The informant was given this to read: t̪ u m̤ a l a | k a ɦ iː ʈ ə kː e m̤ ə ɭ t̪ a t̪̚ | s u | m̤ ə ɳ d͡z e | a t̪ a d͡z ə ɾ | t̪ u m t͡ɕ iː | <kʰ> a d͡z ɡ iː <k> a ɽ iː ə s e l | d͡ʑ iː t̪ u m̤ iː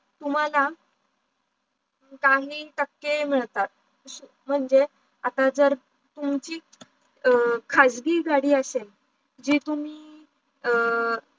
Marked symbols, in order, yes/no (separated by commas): yes, no